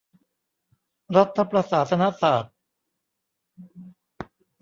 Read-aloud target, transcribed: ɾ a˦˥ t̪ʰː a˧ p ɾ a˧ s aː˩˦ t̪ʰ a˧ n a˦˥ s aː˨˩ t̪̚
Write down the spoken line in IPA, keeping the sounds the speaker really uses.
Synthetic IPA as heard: ɾ a˦˥ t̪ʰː a˧ p ɾ a˧ s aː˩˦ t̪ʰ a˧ n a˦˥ s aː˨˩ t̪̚

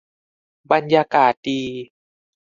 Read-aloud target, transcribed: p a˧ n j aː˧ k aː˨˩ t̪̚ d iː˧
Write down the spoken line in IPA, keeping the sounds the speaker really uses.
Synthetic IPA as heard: b a˧ n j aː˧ k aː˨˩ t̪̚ d iː˧

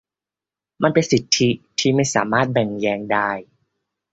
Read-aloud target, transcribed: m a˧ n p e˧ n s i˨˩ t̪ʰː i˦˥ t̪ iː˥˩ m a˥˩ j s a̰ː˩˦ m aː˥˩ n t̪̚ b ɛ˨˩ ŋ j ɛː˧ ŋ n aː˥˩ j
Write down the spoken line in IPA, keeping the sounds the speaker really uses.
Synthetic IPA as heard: m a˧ n p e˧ n s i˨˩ t̪ʰː i˦˥ t̪ʰ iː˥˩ m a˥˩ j s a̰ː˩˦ m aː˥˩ t̪̚ b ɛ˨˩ ŋ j ɛː˧ ŋ d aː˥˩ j

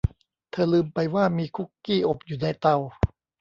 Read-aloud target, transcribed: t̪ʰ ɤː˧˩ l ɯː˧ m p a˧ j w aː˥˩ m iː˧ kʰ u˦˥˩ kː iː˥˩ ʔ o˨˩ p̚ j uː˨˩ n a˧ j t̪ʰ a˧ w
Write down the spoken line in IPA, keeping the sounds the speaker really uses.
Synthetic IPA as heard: t̪ʰ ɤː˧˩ l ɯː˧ m p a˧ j w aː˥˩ m iː˧ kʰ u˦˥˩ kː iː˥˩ ʔ o˨˩ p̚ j uː˨˩ n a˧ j t̪ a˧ w

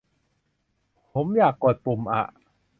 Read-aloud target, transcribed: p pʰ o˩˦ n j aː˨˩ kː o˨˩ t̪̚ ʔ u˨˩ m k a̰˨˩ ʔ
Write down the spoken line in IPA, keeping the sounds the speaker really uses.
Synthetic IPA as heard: p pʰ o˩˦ m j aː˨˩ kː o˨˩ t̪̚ p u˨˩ m ʔ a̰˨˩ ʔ

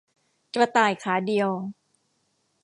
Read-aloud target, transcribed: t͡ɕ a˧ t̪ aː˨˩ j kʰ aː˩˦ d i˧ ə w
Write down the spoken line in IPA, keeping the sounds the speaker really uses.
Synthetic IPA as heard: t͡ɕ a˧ t̪ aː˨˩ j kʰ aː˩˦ d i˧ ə w

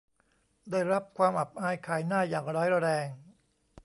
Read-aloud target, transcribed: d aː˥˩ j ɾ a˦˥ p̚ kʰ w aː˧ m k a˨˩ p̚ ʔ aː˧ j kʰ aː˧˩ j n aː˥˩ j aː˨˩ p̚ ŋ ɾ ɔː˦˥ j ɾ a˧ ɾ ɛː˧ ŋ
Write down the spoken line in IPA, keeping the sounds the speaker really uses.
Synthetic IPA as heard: d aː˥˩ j ɾ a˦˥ p̚ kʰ w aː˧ m ʔ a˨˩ p̚ ʔ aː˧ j kʰ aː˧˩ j n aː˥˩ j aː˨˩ ŋ ɾ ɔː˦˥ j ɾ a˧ ɾ ɛː˧ ŋ

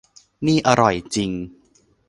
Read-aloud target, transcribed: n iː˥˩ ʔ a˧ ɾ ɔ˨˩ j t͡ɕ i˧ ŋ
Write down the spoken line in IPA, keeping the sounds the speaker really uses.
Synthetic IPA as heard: n iː˥˩ ʔ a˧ ɾ ɔ˨˩ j t͡ɕ i˧ ŋ

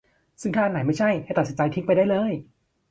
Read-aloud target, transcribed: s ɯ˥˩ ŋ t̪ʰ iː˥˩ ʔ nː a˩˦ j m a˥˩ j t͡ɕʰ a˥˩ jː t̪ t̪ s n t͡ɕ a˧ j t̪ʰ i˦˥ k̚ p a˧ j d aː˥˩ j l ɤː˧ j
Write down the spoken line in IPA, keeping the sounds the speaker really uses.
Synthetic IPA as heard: s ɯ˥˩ ŋ t̪ʰ aː˥˩ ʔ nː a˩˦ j m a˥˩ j t͡ɕʰ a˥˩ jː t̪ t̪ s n t͡ɕ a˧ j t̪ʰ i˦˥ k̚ p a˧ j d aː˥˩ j l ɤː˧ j

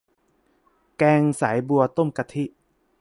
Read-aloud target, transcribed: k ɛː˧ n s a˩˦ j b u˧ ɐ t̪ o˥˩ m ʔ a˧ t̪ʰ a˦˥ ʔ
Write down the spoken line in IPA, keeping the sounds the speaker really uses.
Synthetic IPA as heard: k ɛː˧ ŋ s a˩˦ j b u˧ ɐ t̪ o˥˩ m k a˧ t̪ʰ i˦˥ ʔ

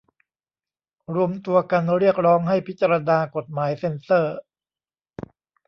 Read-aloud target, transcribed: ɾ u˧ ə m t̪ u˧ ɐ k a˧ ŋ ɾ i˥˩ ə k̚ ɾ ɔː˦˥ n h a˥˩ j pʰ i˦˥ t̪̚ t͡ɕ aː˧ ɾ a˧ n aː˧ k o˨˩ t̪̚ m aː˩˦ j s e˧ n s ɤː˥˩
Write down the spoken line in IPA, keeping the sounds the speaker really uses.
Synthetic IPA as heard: ɾ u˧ ə m t̪ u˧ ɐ k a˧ n ɾ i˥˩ ə k̚ ɾ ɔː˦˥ ŋ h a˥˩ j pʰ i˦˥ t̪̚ t͡ɕ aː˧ ɾ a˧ n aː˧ k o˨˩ t̪̚ m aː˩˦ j s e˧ n s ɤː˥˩

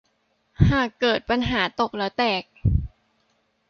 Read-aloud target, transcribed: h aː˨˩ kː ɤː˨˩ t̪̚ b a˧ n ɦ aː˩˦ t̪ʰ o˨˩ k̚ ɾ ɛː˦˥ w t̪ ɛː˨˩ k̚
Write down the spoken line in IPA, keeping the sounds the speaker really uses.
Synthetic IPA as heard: h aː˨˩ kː ɤː˨˩ t̪̚ p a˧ n ɦ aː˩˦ t̪ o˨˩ k̚ l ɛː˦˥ w t̪ ɛː˨˩ k̚

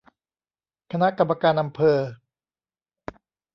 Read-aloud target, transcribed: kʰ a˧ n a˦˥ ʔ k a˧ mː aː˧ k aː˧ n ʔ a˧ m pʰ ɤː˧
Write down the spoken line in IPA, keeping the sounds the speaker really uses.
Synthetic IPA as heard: kʰ a˧ n a˦˥ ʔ k a˧ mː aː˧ k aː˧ n ʔ a˧ m pʰ ɤː˧

